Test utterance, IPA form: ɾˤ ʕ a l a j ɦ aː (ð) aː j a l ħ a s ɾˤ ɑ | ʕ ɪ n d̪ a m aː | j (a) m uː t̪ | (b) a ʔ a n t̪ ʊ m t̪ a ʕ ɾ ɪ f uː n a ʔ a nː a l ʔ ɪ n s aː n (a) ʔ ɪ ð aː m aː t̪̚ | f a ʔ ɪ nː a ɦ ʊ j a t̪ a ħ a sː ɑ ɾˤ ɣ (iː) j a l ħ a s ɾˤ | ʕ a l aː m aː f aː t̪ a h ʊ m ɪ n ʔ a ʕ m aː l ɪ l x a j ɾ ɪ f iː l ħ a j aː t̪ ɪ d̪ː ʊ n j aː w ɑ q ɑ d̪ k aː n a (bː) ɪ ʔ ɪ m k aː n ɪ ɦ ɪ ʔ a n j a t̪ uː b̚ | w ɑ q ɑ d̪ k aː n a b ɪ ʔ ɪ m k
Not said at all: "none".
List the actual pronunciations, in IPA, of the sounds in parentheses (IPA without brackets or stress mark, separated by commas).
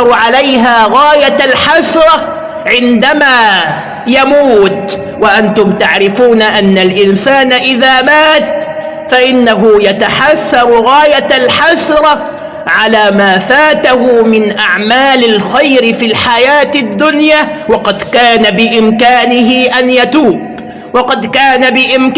ɣ, a, w, a, aː, b